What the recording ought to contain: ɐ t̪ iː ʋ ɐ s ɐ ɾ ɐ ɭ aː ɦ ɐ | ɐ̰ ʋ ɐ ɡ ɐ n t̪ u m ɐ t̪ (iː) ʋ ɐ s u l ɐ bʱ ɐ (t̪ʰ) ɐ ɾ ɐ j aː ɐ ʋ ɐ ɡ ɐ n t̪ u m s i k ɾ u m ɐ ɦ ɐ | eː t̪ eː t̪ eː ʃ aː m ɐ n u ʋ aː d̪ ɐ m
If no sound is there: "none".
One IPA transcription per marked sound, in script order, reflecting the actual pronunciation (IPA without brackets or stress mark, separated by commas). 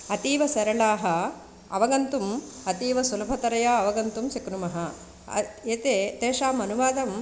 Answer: iː, t̪